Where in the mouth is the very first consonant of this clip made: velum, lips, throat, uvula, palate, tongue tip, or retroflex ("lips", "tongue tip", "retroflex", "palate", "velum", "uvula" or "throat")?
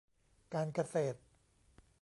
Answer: velum